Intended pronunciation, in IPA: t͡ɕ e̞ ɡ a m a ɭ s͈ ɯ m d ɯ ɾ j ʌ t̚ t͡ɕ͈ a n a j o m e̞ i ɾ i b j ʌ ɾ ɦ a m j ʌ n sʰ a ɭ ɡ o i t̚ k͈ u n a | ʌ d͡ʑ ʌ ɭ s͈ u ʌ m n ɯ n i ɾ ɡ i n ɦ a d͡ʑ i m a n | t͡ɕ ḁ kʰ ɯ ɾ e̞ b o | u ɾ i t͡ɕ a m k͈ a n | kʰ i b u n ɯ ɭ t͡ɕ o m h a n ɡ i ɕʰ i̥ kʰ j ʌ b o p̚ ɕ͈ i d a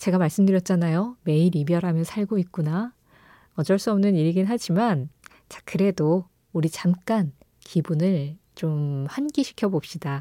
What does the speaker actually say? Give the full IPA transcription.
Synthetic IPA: t͡ɕ e̞ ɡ a m a ɭ s͈ ɯ m d ɯ ɾ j ʌ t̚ t͡ɕ͈ a n a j o m e̞ i ɾ i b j ʌ ɾ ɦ a m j ʌ n sʰ a ɭ ɡ o i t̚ k͈ u n a | ʌ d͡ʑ ʌ ɭ s͈ u ʌ m n ɯ n i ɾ ɡ i n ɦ a d͡ʑ i m a n | t͡ɕ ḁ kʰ ɯ ɾ e̞ d o | u ɾ i t͡ɕ a m k͈ a n | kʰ i b u n ɯ ɭ t͡ɕ o m h a n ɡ i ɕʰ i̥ kʰ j ʌ b o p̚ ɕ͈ i d a